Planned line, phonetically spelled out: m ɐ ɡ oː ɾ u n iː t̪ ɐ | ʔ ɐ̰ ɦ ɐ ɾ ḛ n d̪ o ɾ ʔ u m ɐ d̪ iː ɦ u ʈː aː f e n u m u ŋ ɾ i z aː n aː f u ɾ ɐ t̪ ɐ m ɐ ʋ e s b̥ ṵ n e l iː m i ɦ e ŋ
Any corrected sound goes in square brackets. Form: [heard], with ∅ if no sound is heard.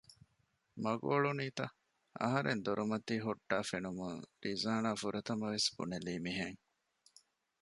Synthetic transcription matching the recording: m ɐ ɡ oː [ɭ] u n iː t̪ ɐ | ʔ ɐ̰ ɦ ɐ ɾ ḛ n d̪ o ɾ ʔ u m ɐ [t̪] iː ɦ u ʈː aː f e n u m u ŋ ɾ i z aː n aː f u ɾ ɐ t̪ ɐ m ɐ ʋ e s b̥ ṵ n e l iː m i ɦ e ŋ